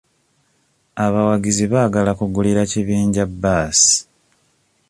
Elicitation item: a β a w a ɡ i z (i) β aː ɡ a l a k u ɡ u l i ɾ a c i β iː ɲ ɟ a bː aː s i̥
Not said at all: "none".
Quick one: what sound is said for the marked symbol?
i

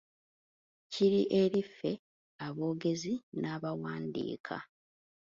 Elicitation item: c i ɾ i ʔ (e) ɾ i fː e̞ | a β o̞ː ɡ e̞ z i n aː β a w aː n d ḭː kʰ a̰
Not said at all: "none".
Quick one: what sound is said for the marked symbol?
e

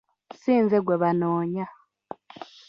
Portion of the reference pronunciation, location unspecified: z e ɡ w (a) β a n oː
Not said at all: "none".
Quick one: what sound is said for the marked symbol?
e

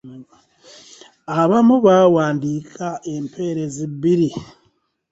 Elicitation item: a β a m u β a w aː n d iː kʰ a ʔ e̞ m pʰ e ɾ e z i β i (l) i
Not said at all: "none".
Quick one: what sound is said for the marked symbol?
ɾ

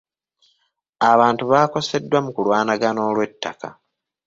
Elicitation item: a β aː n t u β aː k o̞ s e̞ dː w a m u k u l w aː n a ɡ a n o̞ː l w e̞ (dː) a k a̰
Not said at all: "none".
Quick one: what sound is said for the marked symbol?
tː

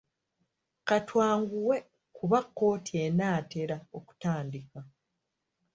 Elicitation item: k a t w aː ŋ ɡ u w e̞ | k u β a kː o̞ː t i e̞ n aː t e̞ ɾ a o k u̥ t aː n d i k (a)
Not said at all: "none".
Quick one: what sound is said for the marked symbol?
a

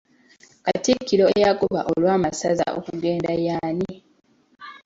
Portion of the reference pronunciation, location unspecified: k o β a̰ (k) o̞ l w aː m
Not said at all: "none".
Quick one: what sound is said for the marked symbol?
ʔ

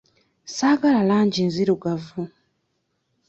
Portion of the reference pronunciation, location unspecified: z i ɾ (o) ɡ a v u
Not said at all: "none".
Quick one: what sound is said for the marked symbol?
u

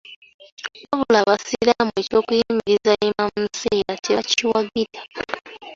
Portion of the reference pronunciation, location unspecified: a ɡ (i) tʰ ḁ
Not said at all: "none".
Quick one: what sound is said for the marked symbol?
i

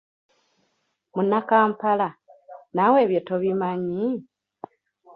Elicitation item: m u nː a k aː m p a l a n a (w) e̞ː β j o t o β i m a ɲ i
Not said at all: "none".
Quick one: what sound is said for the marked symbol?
w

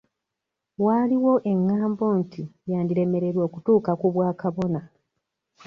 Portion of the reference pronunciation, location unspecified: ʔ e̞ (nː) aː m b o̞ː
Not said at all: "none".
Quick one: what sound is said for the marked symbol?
ŋː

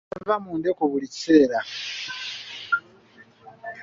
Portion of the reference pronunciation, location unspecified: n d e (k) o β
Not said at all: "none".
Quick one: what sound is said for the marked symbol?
k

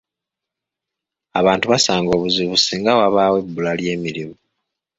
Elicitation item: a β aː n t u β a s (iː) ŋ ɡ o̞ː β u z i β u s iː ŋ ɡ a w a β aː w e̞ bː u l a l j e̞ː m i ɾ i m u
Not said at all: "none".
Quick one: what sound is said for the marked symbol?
aː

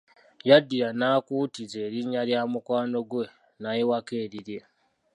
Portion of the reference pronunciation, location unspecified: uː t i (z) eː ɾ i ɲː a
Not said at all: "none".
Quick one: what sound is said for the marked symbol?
z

